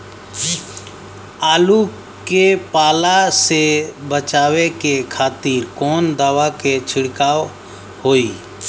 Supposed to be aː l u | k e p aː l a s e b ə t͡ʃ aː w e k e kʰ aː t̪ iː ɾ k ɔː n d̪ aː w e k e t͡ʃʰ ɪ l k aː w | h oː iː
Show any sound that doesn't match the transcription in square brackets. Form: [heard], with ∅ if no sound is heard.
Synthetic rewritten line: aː l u | k e p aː l a s e b ə t͡ʃ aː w e k e kʰ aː t̪ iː ɾ k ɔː n d̪ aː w [a] k e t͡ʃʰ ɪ [ɽ] k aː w | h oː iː